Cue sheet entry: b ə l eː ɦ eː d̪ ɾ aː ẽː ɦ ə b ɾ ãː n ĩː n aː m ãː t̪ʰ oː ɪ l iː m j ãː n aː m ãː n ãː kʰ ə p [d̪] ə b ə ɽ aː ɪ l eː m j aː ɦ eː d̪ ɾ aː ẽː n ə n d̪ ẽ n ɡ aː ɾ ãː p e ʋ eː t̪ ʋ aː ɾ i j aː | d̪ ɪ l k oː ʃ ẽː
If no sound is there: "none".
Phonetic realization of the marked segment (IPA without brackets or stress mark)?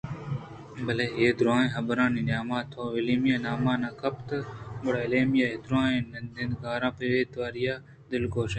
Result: t̪